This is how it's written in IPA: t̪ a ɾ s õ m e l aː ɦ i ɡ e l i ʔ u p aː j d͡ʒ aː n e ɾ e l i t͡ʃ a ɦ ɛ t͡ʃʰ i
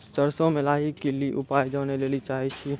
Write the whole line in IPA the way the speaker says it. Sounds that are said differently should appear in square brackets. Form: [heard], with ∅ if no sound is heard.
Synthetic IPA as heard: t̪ [ə] ɾ s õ m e l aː ɦ i [k] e l i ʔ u p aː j d͡ʒ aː n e [l] e l i t͡ʃ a ɦ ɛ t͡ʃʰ i